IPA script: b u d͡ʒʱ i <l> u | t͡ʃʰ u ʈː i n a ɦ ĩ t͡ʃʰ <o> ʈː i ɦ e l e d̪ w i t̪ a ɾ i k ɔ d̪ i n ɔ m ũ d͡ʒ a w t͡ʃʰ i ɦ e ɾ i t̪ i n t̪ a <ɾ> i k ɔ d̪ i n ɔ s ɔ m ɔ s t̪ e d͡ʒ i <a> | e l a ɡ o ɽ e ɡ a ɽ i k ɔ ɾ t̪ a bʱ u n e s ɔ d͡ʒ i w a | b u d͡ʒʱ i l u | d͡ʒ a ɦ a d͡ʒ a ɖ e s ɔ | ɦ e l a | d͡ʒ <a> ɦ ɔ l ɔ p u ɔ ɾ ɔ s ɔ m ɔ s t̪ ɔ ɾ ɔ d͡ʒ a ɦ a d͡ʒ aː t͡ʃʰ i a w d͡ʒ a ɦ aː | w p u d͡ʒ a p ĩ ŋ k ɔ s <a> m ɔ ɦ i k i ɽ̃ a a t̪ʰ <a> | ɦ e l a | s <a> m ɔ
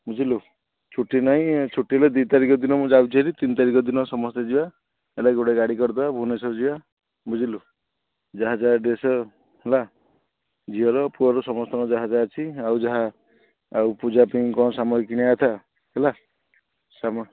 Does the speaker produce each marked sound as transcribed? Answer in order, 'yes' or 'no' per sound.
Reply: yes, no, yes, yes, no, yes, yes, yes

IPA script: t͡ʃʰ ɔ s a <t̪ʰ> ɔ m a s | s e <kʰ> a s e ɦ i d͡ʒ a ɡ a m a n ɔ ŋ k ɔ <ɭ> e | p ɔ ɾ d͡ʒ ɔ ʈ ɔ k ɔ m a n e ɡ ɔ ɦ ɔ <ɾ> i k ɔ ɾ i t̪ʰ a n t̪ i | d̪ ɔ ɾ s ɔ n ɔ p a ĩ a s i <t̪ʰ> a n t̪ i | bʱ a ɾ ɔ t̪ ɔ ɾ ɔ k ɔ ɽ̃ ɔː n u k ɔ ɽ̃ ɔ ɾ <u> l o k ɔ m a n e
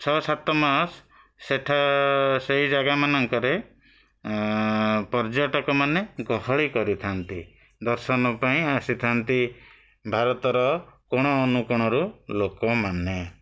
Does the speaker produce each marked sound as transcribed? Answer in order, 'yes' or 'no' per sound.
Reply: no, no, no, no, yes, yes

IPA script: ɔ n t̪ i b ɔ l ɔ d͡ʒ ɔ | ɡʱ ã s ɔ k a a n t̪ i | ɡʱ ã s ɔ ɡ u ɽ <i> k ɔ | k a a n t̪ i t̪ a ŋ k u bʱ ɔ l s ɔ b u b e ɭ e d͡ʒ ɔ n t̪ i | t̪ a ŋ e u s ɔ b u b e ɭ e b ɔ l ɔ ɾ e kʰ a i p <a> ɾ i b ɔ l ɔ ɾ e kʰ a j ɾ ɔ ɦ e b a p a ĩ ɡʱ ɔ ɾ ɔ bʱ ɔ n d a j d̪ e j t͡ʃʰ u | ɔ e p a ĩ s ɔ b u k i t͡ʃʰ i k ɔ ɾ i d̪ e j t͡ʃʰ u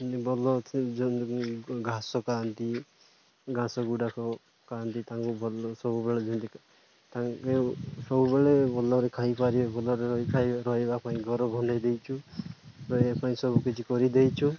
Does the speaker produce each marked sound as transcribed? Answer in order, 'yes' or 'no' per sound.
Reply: no, yes

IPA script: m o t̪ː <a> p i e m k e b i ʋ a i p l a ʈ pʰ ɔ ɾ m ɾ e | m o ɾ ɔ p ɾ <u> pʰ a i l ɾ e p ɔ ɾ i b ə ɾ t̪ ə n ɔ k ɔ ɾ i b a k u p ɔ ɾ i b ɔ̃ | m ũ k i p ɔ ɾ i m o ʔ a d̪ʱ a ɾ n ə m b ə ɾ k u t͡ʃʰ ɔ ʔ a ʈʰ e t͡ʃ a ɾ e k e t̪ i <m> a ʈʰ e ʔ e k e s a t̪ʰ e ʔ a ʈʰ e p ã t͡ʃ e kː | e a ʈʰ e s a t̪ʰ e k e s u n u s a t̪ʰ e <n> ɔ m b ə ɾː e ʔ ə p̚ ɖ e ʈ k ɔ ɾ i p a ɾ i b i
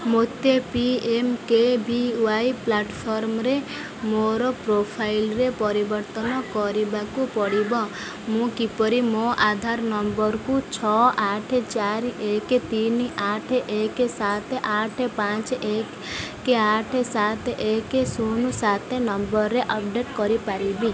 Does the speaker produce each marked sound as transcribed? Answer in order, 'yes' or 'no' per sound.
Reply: no, no, no, yes

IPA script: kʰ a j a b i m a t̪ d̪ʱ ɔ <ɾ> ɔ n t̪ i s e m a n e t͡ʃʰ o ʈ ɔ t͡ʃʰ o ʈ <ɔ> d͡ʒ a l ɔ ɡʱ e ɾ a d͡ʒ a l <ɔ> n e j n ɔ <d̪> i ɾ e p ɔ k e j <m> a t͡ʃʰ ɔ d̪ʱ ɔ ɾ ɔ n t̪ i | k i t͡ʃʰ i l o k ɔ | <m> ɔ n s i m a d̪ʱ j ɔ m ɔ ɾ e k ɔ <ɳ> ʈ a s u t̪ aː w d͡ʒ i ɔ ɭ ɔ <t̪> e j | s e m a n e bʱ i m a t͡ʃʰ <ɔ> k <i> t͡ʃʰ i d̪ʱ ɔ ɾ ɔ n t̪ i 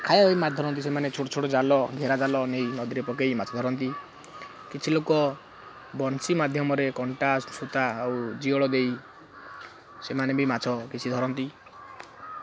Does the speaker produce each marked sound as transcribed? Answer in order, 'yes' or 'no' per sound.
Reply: yes, yes, yes, yes, yes, no, yes, no, yes, yes

